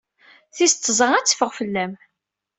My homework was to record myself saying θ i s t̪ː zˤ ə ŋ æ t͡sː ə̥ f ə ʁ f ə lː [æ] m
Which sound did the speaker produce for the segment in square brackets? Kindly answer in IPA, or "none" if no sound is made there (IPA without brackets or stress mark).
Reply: æ